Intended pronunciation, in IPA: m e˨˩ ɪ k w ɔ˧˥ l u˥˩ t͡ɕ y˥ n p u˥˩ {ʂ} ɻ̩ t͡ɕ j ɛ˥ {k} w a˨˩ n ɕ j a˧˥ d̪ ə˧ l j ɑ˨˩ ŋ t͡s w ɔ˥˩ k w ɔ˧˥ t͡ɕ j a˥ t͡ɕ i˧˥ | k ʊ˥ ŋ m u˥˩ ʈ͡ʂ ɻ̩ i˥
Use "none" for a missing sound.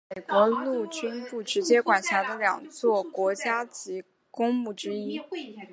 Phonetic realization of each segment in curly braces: ʈ͡ʂ, k

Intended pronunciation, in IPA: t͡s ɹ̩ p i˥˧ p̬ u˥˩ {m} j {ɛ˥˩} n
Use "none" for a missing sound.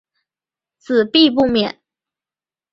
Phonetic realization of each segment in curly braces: m, ɛ˨˩˦

